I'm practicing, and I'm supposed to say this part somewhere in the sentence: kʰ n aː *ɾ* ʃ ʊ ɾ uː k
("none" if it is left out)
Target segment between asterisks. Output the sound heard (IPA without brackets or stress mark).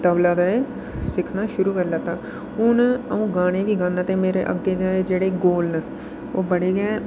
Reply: none